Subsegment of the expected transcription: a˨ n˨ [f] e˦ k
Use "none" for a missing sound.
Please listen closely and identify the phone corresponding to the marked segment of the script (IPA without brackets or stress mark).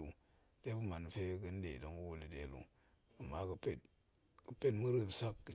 f